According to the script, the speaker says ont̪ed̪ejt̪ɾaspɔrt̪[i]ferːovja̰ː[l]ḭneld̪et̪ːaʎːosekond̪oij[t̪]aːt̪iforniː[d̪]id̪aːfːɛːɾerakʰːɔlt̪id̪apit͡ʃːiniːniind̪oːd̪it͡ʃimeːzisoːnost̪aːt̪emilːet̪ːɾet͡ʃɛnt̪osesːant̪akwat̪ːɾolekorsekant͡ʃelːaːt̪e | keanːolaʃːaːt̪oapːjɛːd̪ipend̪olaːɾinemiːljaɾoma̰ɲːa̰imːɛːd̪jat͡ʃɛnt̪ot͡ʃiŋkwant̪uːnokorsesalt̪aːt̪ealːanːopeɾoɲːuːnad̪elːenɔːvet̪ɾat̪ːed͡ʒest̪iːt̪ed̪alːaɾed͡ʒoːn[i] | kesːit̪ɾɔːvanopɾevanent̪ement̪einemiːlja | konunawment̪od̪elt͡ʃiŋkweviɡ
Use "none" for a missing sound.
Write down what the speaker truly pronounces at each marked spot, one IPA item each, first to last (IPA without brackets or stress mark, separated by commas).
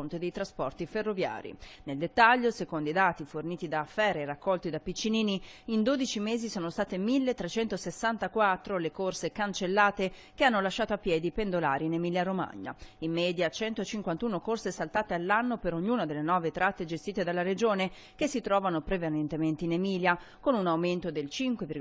i, ɾ, d̪, t̪, e